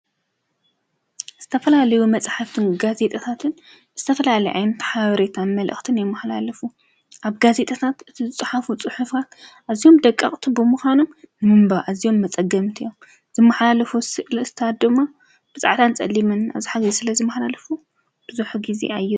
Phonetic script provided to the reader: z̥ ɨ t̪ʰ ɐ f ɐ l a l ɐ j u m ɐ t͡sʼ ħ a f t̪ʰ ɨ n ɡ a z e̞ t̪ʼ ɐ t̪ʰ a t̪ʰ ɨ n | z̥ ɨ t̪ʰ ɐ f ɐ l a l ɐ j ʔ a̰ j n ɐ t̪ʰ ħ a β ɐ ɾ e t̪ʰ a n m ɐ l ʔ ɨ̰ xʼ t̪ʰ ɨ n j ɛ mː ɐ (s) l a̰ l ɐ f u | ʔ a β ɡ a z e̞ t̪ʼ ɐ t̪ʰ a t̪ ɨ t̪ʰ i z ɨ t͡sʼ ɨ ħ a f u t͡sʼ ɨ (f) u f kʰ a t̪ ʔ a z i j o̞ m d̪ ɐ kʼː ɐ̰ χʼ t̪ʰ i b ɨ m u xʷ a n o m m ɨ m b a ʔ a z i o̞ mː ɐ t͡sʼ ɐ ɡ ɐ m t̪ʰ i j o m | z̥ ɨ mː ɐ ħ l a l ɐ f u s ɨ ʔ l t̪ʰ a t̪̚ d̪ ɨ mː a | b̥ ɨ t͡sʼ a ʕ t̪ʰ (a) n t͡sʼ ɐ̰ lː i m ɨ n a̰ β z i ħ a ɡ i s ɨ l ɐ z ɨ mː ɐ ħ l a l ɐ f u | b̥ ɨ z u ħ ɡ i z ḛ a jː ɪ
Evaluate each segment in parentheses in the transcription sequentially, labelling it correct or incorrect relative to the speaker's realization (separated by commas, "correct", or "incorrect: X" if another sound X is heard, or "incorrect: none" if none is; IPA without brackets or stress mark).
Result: incorrect: ħ, incorrect: ħ, correct